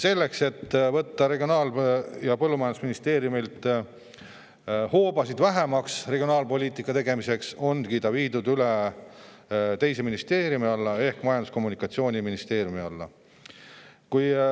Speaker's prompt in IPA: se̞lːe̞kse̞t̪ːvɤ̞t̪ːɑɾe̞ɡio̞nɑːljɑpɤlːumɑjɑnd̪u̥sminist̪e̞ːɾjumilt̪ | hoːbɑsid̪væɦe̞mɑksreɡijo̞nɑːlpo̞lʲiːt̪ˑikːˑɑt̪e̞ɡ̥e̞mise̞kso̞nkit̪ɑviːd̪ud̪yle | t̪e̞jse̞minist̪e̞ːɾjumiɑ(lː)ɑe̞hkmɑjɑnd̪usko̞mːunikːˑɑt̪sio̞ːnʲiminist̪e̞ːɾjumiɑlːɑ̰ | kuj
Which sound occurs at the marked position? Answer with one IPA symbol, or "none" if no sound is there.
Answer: lː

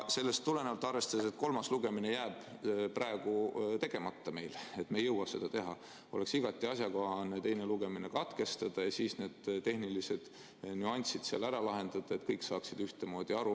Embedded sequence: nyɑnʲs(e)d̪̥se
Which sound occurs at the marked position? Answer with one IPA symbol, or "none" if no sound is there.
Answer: i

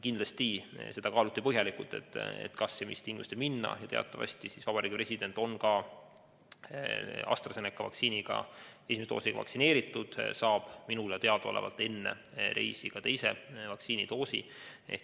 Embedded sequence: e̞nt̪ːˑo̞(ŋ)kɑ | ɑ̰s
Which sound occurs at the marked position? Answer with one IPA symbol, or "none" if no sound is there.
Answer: n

